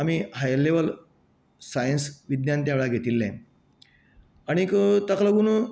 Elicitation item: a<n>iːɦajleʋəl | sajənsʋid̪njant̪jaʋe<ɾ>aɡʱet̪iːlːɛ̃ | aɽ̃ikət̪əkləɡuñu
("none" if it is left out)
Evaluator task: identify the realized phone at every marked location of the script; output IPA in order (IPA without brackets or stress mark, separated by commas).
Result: m, ɭ